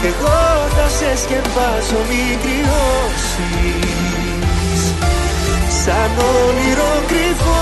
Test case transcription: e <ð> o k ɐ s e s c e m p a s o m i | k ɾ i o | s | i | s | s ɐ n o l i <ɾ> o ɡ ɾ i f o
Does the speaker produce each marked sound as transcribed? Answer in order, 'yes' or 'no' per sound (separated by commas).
no, yes